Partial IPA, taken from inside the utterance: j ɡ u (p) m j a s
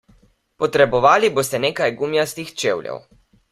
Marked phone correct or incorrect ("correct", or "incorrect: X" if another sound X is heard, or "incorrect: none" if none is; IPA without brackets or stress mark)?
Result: incorrect: none